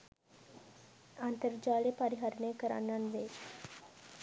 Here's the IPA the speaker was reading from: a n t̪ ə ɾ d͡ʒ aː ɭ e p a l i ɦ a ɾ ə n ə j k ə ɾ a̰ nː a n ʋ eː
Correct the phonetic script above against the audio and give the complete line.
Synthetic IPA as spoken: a n t̪ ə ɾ d͡ʒ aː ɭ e p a ɾ i ɦ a ɾ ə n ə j k ə ɾ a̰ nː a n ʋ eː